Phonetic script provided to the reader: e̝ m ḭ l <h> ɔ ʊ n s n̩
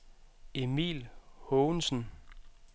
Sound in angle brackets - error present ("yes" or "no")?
no